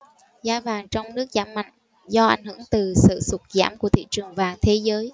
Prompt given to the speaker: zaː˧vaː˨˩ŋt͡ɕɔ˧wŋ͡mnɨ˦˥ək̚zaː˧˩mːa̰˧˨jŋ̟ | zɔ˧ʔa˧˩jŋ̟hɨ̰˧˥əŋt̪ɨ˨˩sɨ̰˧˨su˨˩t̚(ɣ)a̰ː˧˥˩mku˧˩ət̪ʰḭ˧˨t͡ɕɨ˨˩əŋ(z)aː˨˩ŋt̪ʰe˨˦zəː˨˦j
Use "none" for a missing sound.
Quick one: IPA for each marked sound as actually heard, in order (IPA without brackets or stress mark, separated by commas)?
z, v